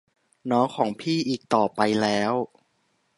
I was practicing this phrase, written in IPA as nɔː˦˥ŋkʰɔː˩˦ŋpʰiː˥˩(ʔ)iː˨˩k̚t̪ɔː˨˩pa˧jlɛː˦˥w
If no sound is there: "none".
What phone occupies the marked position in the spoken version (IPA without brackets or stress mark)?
ʔ